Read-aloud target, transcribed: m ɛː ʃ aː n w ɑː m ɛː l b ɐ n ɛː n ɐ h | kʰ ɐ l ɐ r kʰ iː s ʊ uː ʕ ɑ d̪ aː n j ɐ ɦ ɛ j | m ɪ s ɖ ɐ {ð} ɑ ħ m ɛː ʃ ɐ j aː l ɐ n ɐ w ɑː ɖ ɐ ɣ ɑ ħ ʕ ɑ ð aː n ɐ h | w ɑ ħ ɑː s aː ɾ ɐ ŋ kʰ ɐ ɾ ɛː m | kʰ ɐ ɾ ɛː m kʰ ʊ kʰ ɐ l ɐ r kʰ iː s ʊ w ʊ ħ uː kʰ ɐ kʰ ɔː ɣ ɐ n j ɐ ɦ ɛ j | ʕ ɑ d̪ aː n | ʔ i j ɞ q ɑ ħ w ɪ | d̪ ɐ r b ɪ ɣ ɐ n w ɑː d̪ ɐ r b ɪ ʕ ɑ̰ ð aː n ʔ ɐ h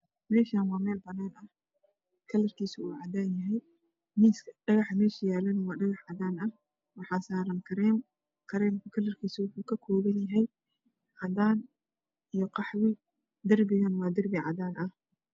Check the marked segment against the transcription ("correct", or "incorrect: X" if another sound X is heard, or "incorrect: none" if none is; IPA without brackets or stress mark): incorrect: ɣ